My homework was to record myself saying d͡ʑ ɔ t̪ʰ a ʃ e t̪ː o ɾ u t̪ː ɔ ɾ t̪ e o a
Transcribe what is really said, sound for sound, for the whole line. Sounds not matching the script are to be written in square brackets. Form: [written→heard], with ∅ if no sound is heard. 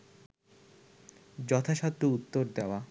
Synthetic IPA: d͡ʑ ɔ t̪ʰ a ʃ [e→a] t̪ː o [ɾ→∅] u t̪ː [ɔ→o] ɾ [t̪→d̪] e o a